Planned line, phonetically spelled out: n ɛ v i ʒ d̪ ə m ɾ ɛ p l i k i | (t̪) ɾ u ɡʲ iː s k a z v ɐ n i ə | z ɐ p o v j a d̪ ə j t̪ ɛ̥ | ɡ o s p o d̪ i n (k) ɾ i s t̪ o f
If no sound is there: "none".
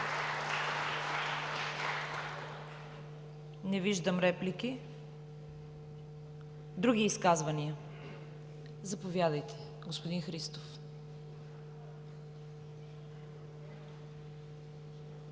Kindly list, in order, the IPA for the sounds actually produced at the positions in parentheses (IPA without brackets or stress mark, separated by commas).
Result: d̪, x